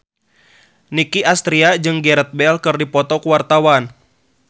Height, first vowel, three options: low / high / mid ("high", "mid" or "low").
high